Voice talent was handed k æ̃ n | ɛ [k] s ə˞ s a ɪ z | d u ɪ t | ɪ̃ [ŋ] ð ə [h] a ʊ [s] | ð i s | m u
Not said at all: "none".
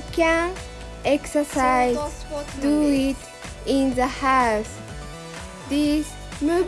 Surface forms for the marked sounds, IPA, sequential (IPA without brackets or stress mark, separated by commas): k, n, h, s